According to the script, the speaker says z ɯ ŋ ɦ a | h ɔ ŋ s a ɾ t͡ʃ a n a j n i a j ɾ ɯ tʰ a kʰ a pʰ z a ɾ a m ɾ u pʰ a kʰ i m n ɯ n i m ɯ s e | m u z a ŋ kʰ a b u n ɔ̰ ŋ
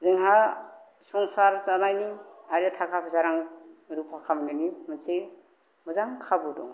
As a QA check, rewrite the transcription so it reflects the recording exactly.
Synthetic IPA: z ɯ ŋ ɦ a | s ɔ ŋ s a ɾ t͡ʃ a n a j n i a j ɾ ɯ tʰ a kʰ a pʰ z a ɾ a ŋ ɾ u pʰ a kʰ a m n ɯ n i m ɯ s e | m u z a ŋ kʰ a b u d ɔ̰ ŋ